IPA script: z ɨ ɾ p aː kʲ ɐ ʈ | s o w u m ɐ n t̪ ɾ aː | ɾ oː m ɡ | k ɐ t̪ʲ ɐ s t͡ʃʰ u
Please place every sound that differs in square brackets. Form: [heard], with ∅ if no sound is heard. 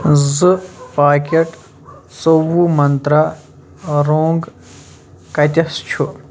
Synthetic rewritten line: z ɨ [∅] p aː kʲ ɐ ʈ | s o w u m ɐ n t̪ ɾ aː | ɾ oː [ŋ] ɡ | k ɐ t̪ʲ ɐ s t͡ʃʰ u